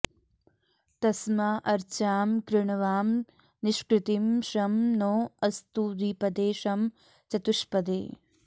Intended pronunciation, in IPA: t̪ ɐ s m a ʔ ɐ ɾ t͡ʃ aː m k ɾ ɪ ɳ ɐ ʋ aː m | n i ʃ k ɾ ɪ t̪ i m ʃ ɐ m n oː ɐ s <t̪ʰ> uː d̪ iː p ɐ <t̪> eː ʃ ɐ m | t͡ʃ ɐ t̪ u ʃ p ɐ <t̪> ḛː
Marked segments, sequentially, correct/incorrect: incorrect: t̪, incorrect: d̪, incorrect: d̪

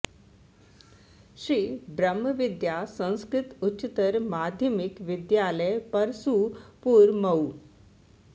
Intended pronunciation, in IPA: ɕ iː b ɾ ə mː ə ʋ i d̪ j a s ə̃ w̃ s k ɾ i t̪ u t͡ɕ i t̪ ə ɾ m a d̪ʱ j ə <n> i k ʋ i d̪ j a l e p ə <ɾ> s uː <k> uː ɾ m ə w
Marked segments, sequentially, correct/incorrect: incorrect: m, correct, incorrect: p

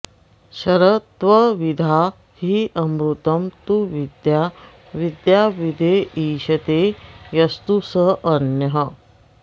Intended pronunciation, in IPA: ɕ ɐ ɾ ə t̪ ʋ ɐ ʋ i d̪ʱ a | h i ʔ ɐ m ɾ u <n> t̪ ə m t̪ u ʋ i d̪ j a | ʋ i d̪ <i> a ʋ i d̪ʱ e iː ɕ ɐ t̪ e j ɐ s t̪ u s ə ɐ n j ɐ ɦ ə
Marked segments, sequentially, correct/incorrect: incorrect: none, incorrect: j

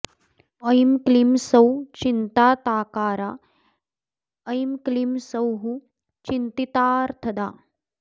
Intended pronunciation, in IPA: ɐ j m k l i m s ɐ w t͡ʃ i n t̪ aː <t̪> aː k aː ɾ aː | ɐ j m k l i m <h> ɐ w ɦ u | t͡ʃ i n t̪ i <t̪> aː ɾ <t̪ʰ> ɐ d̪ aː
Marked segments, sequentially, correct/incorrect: correct, incorrect: s, correct, correct

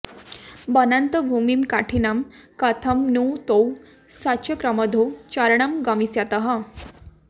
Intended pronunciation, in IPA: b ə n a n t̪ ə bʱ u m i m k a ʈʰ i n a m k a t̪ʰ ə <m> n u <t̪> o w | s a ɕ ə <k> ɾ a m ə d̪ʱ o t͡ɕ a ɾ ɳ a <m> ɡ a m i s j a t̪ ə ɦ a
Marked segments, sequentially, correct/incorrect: correct, correct, correct, correct

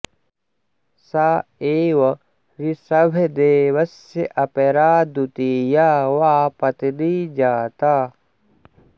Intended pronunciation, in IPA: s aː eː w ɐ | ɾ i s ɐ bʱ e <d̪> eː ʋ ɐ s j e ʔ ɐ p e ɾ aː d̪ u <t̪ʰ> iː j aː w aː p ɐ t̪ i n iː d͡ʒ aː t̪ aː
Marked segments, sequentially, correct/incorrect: correct, incorrect: t̪

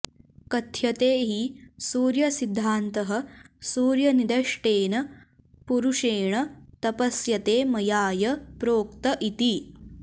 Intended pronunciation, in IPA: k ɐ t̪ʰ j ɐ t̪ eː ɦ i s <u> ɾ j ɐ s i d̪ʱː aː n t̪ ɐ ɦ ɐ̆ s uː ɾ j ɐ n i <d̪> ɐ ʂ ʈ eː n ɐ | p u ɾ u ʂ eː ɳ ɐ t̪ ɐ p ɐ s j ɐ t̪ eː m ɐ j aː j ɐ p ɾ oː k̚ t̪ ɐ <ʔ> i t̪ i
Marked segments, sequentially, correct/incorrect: incorrect: uː, correct, correct

